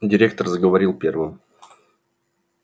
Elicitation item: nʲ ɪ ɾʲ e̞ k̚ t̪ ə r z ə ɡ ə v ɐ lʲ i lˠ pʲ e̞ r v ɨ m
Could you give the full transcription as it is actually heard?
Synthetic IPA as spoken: dʲ ɪ ɾʲ e̞ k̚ t̪ ə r z ə ɡ ə v ɐ ɾʲ i lˠ pʲ e̞ r v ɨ m